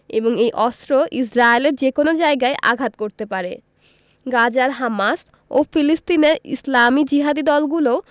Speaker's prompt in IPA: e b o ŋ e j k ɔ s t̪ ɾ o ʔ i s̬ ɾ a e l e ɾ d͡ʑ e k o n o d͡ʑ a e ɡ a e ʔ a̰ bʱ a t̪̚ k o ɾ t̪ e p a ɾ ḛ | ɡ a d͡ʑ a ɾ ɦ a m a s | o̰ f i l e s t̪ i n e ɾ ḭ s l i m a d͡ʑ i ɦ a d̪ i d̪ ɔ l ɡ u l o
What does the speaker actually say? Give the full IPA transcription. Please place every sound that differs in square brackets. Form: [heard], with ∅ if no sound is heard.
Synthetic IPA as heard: e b o ŋ e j [ʔ] ɔ s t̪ ɾ o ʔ i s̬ ɾ a e l e ɾ d͡ʑ e k o n o d͡ʑ a e ɡ a e ʔ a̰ [ɡʱ] a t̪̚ k o ɾ t̪ e p a ɾ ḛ | ɡ a d͡ʑ a ɾ ɦ a m a s | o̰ f i l [i] s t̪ i n e ɾ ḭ s l [a] m [i] d͡ʑ i ɦ a d̪ i d̪ ɔ l ɡ u l o